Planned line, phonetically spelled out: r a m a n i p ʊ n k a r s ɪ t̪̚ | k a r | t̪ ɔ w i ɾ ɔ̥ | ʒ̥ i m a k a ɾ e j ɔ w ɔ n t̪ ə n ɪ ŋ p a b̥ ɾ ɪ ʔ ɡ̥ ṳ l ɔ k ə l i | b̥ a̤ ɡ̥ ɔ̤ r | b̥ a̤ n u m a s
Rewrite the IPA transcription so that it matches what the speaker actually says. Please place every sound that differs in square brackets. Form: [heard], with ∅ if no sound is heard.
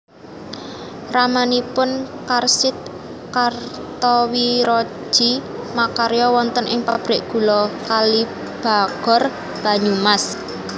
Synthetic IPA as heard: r a m a n i p ʊ n k a r s ɪ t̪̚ | k a r | t̪ ɔ w i ɾ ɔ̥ | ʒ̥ i m a k a ɾ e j ɔ w ɔ n t̪ ə n ɪ ŋ p a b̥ ɾ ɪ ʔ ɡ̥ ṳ l ɔ k [a] l i | b̥ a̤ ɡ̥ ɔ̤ r | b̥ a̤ [ɲ] u m a s